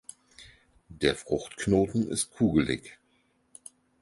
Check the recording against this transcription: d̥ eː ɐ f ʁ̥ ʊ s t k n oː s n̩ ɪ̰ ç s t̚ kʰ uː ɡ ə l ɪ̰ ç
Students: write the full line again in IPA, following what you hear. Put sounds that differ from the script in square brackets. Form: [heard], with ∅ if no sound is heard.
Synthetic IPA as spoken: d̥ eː ɐ f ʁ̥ ʊ [x] t k n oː [t] n̩ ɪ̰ [∅] s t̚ kʰ uː ɡ ə l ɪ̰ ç